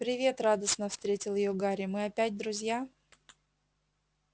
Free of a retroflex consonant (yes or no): yes